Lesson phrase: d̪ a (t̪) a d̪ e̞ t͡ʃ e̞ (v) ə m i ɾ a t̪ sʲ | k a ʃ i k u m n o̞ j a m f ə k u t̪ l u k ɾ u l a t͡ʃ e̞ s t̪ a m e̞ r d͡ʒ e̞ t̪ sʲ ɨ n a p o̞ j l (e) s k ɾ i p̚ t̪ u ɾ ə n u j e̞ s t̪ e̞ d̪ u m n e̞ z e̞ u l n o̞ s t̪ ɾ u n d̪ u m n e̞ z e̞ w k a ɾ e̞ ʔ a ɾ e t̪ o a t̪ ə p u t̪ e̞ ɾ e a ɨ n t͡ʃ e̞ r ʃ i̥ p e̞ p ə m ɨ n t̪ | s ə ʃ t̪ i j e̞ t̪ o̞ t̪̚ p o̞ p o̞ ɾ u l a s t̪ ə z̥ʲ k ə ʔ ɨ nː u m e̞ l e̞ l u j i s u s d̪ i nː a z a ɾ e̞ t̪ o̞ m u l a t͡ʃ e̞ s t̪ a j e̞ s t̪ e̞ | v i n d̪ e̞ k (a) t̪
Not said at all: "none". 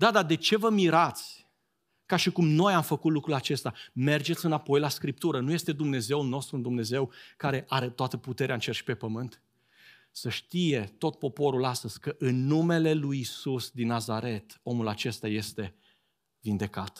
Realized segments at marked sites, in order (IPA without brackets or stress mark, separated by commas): d̪, v, a, a